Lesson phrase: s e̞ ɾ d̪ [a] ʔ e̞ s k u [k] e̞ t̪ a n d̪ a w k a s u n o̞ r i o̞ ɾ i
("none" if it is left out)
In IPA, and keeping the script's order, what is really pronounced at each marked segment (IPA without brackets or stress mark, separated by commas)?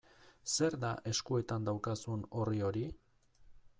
a, none